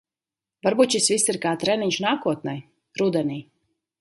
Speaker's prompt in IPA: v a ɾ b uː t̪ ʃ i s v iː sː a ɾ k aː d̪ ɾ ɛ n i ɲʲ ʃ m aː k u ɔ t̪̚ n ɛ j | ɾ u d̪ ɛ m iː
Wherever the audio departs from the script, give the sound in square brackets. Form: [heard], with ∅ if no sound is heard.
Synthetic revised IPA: v a ɾ b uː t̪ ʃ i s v [i] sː [i] ɾ k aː [t̪] ɾ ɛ n i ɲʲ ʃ [n] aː k u ɔ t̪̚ n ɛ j | ɾ u d̪ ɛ [n] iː